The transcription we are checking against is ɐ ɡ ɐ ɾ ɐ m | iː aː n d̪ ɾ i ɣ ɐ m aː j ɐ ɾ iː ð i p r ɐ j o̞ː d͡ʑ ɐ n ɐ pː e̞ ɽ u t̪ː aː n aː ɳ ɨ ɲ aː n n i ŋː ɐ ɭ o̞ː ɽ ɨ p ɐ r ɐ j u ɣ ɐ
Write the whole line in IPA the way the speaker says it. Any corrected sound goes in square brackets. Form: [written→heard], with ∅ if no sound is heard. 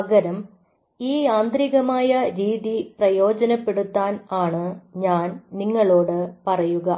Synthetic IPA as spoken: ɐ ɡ ɐ ɾ ɐ m | iː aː n d̪ ɾ i ɣ ɐ m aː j ɐ ɾ iː ð i p r ɐ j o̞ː d͡ʑ ɐ n ɐ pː e̞ ɽ u t̪ː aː n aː ɳ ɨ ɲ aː n n i ŋː ɐ ɭ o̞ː ɽ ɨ p ɐ r ɐ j u ɣ ɐ